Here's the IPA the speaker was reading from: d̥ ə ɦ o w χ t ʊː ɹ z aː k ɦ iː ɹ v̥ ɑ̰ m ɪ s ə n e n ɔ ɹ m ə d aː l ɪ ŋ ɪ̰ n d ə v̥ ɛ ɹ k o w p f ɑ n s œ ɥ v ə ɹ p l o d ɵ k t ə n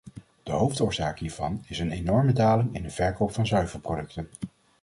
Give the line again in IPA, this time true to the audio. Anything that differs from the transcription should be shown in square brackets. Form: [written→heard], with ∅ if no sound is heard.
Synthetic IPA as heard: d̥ ə ɦ o w [χ→f] t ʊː ɹ z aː k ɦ iː ɹ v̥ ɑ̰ [m→n] ɪ s ə n e n ɔ ɹ m ə d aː l ɪ ŋ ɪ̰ n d ə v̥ ɛ ɹ k o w p f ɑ n [s→z] œ ɥ v ə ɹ p [l→r] o d ɵ k t ə n